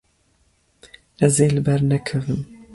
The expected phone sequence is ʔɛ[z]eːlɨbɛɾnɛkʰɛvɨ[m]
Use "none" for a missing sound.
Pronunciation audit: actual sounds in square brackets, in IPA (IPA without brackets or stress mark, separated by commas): z, m